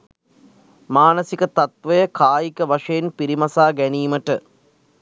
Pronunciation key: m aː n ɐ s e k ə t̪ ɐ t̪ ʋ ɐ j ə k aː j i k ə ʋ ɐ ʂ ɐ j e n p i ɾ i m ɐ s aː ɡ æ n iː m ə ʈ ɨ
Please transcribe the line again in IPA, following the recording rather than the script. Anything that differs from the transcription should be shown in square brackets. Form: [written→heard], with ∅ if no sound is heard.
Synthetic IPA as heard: m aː n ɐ s [e→i] k ə t̪ ɐ t̪ ʋ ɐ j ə k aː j i k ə ʋ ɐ ʂ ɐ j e n p i ɾ i m ɐ s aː ɡ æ n iː m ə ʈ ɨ